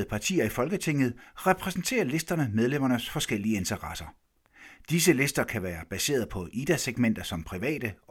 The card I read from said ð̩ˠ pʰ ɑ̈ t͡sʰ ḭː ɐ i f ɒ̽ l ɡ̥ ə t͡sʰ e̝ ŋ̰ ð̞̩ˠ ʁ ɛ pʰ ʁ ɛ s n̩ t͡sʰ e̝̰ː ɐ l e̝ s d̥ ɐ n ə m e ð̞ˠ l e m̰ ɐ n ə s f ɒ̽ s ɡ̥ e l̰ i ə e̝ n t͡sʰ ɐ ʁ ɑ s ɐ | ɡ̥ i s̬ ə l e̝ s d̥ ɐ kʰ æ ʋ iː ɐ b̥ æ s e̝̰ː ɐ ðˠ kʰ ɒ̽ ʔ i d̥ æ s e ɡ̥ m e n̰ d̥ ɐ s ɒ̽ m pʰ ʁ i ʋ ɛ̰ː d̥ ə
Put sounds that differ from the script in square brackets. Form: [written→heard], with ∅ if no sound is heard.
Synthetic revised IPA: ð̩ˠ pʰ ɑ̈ t͡sʰ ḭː ɐ i f ɒ̽ l ɡ̥ ə t͡sʰ e̝ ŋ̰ ð̞̩ˠ ʁ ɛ pʰ ʁ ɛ s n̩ t͡sʰ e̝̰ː ɐ l e̝ s d̥ ɐ n ə m e ð̞ˠ l e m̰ ɐ n ə s f ɒ̽ s ɡ̥ e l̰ i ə e̝ n t͡sʰ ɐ ʁ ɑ s ɐ | [ɡ̥→d̥] i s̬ ə l e̝ s d̥ ɐ kʰ æ ʋ [iː→æː] ɐ b̥ æ s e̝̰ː ɐ ðˠ [kʰ→pʰ] ɒ̽ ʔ i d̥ æ s e ɡ̥ m e n̰ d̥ ɐ s ɒ̽ m pʰ ʁ i ʋ ɛ̰ː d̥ ə